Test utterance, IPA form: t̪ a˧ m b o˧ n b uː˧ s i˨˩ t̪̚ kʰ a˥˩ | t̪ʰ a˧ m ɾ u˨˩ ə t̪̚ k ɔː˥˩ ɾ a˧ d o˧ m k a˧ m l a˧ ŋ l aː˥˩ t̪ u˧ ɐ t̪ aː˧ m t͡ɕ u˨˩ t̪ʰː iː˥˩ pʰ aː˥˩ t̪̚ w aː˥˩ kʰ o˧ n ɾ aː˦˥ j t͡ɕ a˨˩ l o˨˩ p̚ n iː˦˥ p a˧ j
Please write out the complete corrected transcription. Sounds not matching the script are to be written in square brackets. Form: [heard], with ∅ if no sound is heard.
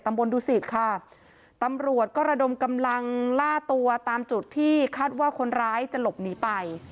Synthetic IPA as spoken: t̪ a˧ m b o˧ n [d] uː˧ s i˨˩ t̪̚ kʰ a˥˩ | [t̪] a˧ m ɾ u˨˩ ə t̪̚ k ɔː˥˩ ɾ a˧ d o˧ m k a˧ m l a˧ ŋ l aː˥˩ t̪ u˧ ɐ t̪ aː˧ m t͡ɕ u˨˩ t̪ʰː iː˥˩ [kʰ] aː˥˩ t̪̚ w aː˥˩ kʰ o˧ n ɾ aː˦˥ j t͡ɕ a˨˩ l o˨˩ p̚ n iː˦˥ p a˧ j